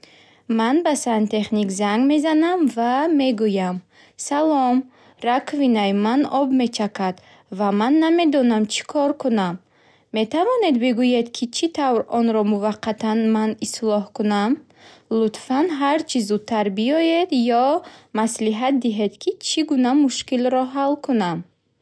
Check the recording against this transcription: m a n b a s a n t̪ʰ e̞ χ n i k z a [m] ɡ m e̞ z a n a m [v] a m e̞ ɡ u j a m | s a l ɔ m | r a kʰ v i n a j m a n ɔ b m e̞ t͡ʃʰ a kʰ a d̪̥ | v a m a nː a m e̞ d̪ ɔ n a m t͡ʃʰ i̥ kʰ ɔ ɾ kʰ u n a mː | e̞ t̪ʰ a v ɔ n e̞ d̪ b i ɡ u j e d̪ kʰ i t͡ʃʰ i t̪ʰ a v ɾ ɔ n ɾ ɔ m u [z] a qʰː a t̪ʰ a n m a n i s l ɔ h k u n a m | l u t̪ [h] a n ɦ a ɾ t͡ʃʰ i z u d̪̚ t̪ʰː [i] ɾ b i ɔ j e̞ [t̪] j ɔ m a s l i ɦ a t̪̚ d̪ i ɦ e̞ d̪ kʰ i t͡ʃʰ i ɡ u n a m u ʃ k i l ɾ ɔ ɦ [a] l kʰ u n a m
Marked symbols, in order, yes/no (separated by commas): no, yes, no, no, no, no, yes